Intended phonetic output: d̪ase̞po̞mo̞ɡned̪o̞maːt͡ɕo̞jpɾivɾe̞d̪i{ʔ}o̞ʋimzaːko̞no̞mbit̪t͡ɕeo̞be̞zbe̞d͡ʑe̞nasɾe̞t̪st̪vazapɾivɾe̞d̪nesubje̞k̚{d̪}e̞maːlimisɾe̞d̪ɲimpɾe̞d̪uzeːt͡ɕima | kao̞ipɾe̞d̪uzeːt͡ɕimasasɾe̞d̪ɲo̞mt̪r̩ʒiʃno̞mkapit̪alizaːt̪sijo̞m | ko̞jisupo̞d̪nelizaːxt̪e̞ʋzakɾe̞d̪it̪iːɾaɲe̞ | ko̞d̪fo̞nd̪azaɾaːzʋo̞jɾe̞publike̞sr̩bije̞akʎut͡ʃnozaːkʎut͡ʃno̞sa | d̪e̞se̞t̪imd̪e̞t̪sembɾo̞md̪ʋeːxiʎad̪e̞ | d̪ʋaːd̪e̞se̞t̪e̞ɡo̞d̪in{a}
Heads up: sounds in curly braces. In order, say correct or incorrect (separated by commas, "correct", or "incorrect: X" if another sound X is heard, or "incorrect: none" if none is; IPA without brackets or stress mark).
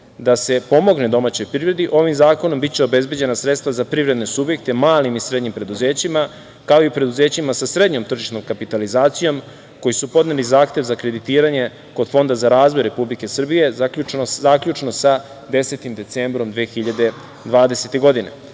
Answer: correct, incorrect: t̪, incorrect: e